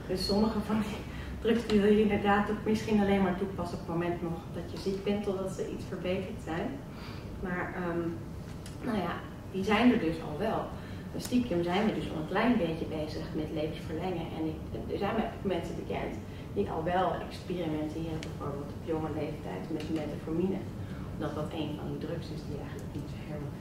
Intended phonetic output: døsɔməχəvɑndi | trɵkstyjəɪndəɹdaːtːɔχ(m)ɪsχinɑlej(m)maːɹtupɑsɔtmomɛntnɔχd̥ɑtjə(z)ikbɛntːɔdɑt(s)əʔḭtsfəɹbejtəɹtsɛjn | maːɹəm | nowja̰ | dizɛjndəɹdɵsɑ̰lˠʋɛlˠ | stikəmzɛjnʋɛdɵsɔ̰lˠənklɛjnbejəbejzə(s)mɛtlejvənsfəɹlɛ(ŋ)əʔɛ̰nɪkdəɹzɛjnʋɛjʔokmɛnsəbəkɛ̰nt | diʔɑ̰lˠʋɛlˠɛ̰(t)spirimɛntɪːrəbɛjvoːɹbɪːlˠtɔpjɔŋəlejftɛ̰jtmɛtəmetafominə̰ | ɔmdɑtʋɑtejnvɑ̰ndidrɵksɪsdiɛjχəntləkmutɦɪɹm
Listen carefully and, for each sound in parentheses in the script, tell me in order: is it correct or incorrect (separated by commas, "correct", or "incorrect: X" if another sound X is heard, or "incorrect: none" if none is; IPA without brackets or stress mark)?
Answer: correct, incorrect: n, correct, correct, incorrect: χ, correct, incorrect: k